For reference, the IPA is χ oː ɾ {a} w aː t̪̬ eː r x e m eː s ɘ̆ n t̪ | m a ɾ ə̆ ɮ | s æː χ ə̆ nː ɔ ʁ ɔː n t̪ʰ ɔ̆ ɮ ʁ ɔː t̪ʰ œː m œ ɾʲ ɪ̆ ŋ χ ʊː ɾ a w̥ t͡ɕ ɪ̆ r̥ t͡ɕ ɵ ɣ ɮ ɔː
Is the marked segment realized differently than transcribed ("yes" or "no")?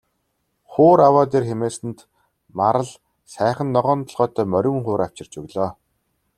no